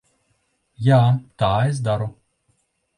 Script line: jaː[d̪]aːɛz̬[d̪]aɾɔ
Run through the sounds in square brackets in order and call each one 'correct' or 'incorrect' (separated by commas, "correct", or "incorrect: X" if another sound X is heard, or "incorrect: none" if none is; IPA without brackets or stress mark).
incorrect: t̪, correct